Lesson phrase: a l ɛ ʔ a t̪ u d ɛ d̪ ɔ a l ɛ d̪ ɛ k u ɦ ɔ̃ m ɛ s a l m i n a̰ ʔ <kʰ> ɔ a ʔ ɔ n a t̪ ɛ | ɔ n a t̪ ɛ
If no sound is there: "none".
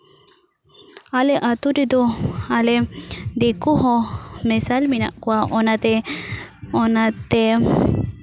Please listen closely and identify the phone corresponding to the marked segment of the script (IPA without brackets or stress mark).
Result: k